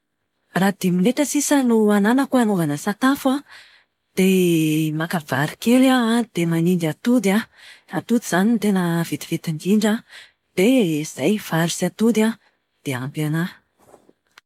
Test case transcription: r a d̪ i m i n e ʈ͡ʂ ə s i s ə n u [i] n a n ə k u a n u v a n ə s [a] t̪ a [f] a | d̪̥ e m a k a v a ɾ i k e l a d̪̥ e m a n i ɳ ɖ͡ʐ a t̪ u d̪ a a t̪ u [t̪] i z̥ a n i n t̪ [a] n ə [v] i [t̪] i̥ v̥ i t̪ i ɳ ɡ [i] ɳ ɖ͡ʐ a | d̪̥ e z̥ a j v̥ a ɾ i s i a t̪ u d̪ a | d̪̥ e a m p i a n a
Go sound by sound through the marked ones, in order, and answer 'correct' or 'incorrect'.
incorrect: a, correct, correct, incorrect: d̪, incorrect: e, correct, correct, correct

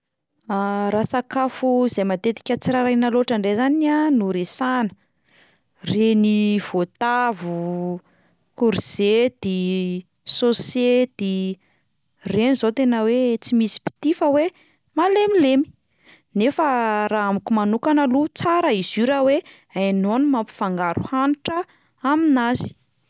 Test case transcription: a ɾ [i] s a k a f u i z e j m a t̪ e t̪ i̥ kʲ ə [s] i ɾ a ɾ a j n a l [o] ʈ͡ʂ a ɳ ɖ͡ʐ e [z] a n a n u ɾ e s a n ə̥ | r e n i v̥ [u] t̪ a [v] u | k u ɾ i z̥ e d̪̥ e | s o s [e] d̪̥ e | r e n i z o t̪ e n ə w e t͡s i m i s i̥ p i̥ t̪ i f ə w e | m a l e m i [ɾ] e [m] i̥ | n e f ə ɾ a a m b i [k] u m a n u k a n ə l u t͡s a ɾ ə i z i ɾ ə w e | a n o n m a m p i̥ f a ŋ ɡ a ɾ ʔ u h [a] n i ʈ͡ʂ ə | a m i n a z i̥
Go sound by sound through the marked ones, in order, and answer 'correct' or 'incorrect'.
incorrect: a, incorrect: t͡s, correct, correct, incorrect: o, correct, correct, incorrect: l, correct, correct, correct

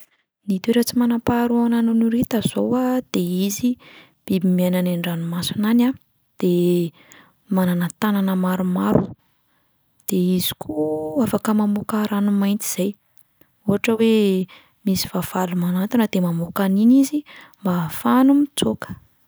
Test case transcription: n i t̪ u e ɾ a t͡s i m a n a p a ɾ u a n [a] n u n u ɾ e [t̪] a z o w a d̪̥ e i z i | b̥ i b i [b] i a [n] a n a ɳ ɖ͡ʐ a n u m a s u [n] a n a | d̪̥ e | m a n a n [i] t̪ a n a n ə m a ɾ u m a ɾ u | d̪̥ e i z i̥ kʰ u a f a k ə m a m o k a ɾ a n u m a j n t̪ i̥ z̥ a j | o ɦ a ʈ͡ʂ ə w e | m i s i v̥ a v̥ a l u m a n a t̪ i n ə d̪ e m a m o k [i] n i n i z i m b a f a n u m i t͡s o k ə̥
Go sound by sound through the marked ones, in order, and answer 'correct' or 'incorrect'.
correct, correct, incorrect: m, correct, correct, incorrect: a, incorrect: a

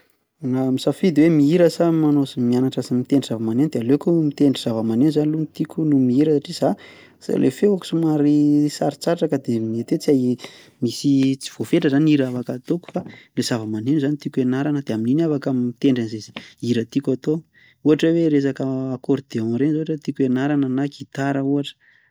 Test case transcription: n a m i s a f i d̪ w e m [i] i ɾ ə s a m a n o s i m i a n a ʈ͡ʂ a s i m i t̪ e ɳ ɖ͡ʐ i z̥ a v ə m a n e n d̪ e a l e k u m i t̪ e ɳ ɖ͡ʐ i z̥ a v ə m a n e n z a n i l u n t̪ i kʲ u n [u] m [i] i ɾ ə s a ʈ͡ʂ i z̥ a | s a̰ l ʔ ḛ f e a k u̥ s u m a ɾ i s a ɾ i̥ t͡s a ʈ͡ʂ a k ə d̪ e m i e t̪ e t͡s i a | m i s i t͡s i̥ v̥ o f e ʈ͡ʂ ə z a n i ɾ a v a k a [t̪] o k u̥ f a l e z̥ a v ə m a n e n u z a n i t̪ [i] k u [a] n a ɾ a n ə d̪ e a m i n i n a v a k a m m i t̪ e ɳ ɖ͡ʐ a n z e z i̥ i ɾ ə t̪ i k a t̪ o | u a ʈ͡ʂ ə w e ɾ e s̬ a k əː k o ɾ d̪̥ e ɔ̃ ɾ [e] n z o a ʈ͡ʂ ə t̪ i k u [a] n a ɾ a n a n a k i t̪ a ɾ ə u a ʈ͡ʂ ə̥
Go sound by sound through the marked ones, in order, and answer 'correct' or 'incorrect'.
correct, correct, correct, correct, correct, incorrect: e, correct, incorrect: e

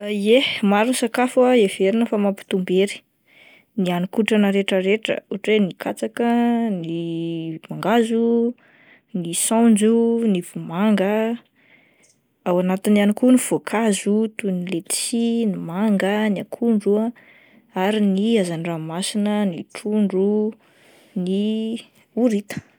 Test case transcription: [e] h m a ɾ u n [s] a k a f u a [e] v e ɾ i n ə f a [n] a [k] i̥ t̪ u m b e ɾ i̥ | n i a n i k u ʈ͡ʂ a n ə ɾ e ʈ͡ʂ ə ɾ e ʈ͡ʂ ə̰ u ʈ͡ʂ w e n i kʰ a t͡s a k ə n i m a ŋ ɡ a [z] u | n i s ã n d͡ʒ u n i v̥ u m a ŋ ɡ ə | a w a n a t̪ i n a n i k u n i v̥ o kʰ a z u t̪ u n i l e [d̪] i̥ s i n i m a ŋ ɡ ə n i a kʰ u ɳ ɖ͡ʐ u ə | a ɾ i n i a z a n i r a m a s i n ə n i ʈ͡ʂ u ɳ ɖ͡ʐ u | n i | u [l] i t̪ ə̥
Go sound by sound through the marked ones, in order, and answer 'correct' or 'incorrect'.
correct, correct, correct, incorrect: m, incorrect: p, correct, incorrect: t̪, incorrect: ɾ

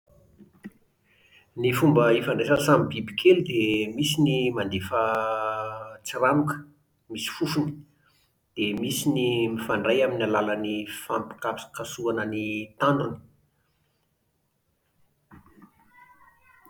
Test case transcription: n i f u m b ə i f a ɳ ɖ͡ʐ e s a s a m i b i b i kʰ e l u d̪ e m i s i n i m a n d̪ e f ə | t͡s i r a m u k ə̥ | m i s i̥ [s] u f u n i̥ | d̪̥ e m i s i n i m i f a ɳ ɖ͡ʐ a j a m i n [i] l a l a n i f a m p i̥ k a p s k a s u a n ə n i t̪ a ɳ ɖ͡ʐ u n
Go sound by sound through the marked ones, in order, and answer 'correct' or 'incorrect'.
incorrect: f, incorrect: a

